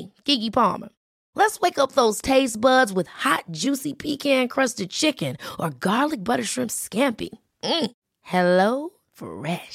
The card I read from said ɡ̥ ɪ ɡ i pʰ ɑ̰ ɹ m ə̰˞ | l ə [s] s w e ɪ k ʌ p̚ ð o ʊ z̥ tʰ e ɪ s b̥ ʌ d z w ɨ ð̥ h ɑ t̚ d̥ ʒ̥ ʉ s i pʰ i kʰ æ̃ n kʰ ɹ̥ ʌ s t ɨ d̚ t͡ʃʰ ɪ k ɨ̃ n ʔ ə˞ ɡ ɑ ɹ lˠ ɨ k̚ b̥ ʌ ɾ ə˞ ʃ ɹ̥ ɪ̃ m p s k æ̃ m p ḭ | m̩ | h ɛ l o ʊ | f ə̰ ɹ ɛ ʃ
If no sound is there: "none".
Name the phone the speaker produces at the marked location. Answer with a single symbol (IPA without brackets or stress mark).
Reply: t